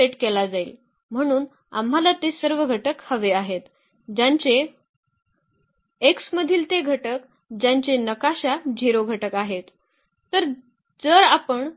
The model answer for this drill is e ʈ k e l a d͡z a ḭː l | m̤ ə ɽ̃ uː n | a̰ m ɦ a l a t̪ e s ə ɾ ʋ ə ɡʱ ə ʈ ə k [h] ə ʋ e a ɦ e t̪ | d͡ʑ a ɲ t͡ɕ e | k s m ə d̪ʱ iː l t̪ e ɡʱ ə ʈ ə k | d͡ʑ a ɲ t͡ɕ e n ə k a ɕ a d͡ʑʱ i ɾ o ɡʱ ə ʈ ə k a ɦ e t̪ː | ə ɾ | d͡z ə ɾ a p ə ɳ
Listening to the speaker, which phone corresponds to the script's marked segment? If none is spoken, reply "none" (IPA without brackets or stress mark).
h